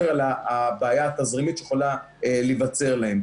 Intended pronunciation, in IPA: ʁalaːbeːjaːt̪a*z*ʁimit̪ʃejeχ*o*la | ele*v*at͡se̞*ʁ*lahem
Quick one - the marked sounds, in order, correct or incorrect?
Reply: correct, correct, correct, correct

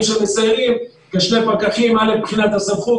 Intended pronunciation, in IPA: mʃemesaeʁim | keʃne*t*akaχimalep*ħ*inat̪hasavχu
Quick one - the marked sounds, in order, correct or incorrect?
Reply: incorrect: p, incorrect: χ

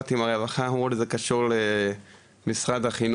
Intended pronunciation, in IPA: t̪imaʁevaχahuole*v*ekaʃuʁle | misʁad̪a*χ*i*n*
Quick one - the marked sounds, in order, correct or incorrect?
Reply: incorrect: z, correct, correct

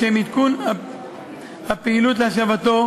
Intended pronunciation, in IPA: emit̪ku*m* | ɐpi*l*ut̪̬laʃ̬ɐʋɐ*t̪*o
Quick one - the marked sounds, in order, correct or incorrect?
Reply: incorrect: n, correct, correct

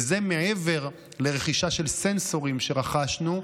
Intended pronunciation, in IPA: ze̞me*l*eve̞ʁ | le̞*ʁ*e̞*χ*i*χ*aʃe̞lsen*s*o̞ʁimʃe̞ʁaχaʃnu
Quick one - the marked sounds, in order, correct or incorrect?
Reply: incorrect: none, correct, correct, incorrect: ʃ, correct

